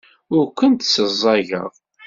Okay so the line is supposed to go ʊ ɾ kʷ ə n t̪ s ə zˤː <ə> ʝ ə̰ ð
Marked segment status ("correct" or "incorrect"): incorrect